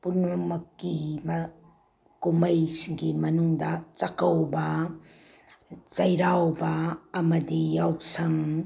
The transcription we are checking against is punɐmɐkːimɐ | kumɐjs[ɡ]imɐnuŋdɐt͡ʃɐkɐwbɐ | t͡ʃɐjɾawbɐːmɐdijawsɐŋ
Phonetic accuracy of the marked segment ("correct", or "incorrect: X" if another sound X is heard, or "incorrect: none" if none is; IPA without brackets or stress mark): correct